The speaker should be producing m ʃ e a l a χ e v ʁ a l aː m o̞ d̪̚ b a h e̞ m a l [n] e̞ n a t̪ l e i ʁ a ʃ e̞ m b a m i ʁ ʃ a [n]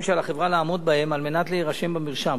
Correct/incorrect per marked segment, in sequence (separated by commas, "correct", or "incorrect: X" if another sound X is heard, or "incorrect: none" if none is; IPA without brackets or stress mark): incorrect: m, incorrect: m